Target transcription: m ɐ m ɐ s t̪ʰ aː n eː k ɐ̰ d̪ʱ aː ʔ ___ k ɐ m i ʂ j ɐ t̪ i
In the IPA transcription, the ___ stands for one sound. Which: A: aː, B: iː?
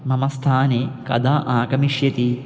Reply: A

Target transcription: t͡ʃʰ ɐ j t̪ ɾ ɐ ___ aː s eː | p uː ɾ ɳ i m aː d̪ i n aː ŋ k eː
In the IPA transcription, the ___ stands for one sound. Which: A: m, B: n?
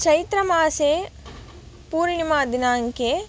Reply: A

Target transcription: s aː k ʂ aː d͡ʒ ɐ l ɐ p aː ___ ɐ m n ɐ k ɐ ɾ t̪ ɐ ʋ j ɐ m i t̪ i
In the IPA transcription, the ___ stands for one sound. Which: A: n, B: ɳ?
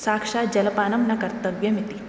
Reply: A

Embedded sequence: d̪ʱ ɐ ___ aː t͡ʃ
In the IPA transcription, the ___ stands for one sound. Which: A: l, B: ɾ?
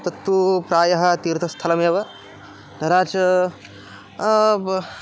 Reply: B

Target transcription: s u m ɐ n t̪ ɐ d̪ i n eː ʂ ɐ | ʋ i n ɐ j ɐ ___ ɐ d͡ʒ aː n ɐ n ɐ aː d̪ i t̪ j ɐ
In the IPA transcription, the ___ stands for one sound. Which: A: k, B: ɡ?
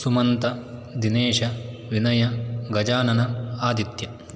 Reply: B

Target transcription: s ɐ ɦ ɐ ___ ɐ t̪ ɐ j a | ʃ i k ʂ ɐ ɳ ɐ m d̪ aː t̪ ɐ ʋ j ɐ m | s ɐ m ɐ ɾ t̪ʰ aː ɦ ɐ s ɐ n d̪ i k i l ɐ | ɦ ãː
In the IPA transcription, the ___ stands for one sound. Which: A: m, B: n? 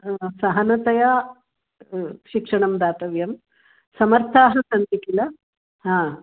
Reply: B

